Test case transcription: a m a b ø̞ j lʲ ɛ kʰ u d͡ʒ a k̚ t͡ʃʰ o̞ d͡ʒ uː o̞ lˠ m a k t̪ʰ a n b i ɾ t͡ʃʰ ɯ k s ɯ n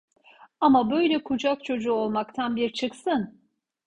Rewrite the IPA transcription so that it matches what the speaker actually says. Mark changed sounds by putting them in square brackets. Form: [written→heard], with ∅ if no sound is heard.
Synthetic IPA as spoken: a m a b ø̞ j lʲ ɛ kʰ u d͡ʒ a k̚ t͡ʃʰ o̞ d͡ʒ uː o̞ lˠ m a k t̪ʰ a n b i ɾ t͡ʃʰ ɯ k s ɯ n